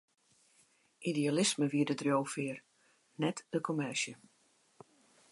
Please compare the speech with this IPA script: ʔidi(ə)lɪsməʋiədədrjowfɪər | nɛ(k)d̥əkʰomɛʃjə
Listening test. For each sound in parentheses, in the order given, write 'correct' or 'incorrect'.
incorrect: a, incorrect: t

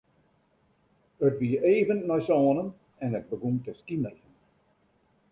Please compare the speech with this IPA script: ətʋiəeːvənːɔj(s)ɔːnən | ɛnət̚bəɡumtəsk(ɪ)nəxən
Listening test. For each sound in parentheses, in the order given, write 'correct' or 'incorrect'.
correct, incorrect: i

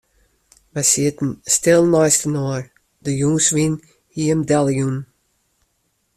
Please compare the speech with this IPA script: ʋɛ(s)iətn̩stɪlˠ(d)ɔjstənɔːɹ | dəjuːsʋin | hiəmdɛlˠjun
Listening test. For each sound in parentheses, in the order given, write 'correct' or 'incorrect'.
correct, incorrect: n

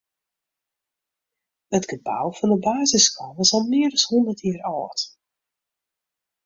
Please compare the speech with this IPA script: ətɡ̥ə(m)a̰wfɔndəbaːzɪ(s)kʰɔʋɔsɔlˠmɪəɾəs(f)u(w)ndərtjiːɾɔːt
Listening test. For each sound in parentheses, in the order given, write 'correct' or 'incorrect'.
incorrect: b, correct, incorrect: h, incorrect: none

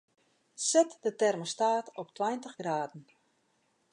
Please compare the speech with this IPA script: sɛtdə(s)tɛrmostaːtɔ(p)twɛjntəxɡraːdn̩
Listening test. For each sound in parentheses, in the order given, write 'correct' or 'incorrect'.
incorrect: none, correct

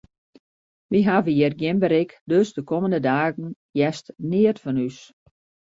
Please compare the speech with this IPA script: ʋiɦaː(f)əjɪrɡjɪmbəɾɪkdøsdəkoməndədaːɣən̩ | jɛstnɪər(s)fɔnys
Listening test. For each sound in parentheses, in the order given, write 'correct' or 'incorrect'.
incorrect: v, incorrect: t

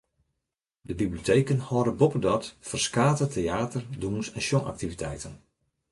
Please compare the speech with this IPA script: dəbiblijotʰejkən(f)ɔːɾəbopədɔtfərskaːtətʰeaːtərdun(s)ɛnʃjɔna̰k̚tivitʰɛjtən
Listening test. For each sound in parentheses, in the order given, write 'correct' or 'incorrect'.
incorrect: h, correct

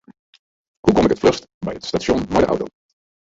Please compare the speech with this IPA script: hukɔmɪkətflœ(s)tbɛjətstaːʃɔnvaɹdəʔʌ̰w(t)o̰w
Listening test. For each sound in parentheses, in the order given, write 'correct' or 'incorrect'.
correct, correct

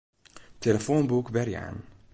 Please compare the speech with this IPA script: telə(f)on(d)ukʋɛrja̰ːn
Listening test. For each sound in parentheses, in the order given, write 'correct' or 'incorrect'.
correct, incorrect: b

